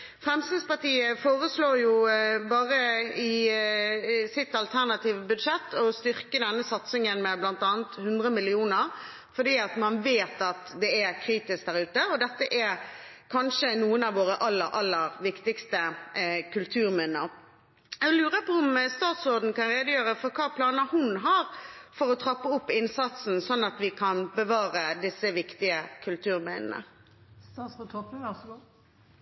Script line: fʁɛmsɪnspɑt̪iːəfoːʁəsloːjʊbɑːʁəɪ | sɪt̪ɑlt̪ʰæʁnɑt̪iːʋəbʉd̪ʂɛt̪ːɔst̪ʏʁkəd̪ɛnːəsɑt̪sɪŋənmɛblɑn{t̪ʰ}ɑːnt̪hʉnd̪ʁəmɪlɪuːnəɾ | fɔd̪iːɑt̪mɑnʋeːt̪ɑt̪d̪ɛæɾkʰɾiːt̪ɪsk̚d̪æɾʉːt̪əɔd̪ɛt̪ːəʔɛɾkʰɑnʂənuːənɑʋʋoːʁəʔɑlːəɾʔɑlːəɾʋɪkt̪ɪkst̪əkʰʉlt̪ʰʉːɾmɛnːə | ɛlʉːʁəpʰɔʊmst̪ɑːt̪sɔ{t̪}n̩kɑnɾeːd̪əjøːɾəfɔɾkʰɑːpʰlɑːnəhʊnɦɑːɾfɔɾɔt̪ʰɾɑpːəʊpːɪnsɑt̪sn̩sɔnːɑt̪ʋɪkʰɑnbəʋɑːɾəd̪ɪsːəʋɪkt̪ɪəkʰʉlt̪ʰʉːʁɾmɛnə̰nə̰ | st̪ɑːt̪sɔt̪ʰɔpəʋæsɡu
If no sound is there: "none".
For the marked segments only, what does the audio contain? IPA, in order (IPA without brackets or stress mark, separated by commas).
t̪, d̪